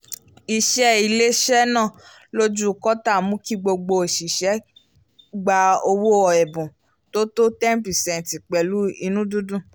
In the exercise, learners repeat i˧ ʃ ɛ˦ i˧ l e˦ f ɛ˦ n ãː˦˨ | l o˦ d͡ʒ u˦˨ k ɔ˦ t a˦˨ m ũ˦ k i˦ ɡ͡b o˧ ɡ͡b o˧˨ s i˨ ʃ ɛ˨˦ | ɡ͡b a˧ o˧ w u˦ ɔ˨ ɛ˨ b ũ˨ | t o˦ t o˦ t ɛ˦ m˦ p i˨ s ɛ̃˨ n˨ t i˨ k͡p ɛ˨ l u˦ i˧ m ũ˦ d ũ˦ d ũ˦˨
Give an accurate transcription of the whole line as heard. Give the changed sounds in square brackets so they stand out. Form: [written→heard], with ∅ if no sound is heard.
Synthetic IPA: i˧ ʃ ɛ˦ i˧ l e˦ [f→ʃ] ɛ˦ n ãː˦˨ | l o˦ d͡ʒ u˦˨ k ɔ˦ t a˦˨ m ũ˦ k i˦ ɡ͡b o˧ ɡ͡b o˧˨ [s→ʃ] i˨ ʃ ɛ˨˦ | ɡ͡b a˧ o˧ w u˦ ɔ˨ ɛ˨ b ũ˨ | t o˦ t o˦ t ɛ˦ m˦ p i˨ s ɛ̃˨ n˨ t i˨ k͡p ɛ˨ l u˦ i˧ [m→n] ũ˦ d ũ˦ d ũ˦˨